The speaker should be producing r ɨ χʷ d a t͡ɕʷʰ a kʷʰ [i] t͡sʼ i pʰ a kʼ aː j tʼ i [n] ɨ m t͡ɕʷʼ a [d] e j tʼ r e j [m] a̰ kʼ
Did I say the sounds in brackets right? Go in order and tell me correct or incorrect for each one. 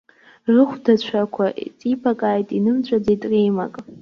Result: incorrect: a, correct, incorrect: d͡z, correct

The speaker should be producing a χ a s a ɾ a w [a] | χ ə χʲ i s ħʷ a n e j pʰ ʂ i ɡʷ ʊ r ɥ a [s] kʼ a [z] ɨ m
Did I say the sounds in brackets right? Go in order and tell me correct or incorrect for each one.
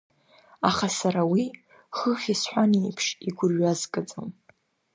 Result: incorrect: i, incorrect: z, incorrect: d͡z

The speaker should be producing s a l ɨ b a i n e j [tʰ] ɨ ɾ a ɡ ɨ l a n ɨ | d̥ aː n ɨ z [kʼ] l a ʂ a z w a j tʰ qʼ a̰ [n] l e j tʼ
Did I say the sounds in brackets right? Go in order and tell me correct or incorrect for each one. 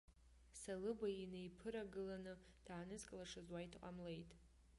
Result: incorrect: pʰ, correct, incorrect: m

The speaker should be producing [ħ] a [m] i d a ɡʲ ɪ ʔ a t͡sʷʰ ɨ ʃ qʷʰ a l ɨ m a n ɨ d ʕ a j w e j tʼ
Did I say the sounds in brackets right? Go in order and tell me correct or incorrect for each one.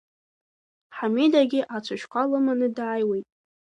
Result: correct, correct

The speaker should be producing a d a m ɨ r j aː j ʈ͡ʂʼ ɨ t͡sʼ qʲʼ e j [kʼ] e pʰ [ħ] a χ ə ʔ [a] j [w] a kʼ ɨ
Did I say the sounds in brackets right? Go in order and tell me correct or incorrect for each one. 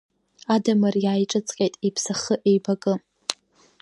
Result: incorrect: tʼ, incorrect: s, incorrect: e, incorrect: b

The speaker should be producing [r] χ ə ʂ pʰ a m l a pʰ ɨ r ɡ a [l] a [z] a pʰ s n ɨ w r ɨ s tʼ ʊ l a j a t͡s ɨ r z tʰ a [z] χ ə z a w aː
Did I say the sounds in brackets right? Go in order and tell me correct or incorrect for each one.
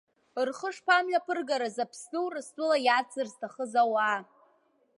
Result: correct, incorrect: ɾ, correct, incorrect: none

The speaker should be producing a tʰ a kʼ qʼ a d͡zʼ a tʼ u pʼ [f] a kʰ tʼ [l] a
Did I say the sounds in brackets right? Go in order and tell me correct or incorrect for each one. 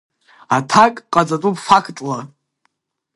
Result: correct, correct

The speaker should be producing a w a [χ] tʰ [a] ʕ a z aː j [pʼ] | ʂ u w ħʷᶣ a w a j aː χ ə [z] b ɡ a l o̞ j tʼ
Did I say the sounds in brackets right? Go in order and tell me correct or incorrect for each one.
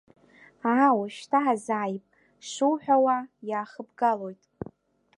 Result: incorrect: ʃ, correct, correct, incorrect: none

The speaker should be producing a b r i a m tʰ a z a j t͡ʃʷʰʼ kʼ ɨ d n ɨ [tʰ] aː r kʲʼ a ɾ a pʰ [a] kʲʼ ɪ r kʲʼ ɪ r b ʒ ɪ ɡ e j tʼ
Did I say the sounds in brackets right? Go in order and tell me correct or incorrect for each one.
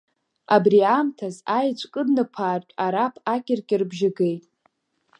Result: incorrect: pʰ, correct

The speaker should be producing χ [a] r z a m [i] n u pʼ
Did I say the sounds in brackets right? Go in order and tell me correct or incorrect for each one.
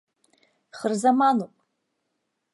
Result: incorrect: ə, incorrect: a

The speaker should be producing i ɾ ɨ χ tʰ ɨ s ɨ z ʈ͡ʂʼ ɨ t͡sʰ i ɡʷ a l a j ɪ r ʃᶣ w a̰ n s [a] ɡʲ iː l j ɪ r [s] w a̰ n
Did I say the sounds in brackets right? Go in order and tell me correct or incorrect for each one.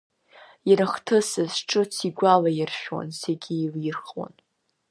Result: incorrect: e, incorrect: χ

